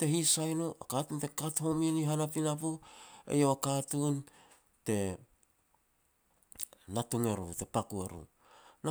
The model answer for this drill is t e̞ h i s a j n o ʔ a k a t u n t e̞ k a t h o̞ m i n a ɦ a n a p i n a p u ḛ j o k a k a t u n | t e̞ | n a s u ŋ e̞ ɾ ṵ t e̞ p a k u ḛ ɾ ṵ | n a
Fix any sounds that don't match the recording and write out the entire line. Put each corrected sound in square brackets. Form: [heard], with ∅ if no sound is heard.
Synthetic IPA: t e̞ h i s a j n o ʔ a k a t u n t e̞ k a t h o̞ m i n [i] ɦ a n a p i n a p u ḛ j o [∅] a k a t u n | t e̞ | n a [t] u ŋ e̞ ɾ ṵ t e̞ p a k u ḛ ɾ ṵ | n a